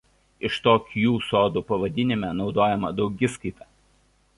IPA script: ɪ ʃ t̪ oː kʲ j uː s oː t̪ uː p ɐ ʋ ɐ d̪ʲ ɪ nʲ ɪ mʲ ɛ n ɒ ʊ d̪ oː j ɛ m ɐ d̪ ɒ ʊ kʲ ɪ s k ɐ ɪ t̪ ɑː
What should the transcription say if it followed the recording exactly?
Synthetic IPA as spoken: ɪ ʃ t̪ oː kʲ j uː s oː d̪ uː p ɐ ʋ ɐ d̪ʲ ɪ nʲ ɪ mʲ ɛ n ɒ ʊ d̪ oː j ɛ m ɐ d̪ ɒ ʊ ɡʲ ɪ s k ɐ ɪ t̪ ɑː